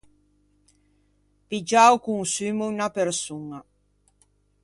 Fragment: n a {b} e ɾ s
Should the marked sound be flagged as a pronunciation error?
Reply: yes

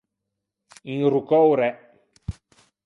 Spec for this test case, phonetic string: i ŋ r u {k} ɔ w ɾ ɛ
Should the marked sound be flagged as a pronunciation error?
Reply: no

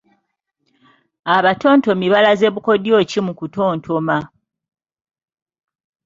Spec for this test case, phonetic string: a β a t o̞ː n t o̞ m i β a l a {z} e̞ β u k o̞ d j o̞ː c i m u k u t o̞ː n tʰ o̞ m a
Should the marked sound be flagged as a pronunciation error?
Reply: no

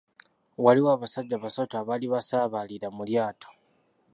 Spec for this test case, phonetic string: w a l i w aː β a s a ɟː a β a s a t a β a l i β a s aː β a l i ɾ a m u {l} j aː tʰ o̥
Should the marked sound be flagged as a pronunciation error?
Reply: no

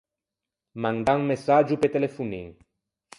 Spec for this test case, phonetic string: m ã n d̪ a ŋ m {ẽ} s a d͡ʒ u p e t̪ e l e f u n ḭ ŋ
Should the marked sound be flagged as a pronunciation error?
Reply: yes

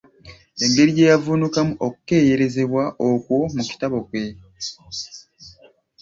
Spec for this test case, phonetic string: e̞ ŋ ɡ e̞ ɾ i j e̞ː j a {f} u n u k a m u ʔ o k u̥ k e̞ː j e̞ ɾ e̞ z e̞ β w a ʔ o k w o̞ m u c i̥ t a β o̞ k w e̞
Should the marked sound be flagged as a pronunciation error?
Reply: yes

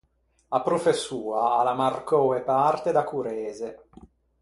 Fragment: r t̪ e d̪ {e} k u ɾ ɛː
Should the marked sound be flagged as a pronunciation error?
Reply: yes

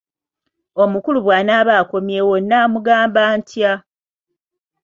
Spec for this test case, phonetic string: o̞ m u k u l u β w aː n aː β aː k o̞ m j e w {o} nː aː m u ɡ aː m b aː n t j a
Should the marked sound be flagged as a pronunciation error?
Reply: no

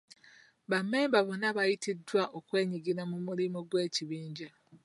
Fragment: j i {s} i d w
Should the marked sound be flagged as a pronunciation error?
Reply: yes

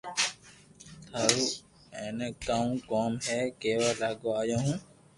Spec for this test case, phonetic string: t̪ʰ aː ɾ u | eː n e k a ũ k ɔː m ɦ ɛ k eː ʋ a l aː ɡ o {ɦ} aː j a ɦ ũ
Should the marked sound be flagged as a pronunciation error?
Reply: yes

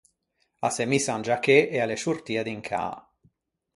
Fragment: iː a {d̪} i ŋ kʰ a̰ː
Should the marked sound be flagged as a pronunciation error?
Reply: no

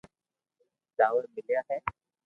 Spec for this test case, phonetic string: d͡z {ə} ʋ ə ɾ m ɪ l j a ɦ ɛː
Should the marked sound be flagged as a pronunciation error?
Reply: yes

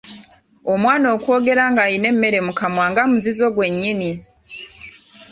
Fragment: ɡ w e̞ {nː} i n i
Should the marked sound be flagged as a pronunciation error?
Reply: yes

